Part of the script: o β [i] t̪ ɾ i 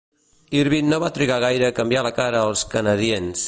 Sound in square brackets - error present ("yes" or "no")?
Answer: yes